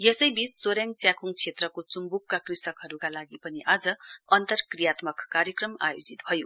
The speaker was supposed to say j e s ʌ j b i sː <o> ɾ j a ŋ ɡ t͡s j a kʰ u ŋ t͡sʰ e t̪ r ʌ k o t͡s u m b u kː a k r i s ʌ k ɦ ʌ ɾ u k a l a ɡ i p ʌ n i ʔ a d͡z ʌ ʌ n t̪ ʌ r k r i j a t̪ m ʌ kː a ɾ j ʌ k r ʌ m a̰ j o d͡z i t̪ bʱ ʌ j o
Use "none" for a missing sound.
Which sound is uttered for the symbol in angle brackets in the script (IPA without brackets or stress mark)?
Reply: o